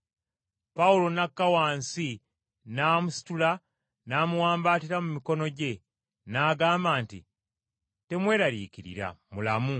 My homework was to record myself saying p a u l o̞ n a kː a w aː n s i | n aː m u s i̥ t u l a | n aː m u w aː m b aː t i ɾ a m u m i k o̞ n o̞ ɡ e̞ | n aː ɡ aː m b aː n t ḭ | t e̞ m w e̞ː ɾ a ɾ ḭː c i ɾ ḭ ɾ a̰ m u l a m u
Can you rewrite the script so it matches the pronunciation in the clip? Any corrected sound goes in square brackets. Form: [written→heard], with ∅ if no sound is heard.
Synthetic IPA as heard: p a u l o̞ n a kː a w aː n s i | n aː m u s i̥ t u l a | n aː m u w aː m b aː t i ɾ a m u m i k o̞ n o̞ [ɡ→ɟ] e̞ | n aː ɡ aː m b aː n t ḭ | t e̞ m w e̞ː ɾ a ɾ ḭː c i ɾ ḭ ɾ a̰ m u l a m u